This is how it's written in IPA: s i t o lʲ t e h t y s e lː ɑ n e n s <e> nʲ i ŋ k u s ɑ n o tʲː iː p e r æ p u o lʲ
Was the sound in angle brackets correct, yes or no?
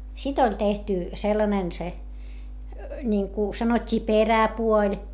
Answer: yes